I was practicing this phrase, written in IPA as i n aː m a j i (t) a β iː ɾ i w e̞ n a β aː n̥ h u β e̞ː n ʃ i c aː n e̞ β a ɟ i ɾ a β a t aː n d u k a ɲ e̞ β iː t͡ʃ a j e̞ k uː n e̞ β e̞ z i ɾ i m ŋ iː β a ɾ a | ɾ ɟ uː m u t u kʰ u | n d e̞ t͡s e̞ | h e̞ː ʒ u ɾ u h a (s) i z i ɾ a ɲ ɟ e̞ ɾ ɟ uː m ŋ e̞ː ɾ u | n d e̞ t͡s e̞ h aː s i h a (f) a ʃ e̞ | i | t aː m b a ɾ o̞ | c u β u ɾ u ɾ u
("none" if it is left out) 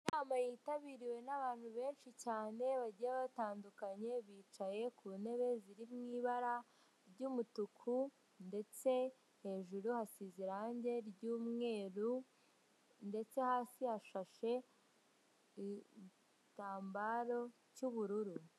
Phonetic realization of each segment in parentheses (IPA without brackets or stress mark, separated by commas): t, s, ʃ